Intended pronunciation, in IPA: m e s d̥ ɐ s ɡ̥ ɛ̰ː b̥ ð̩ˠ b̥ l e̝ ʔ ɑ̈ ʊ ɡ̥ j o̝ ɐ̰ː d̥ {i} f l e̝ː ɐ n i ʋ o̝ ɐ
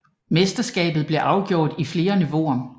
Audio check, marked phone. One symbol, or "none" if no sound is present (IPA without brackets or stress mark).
i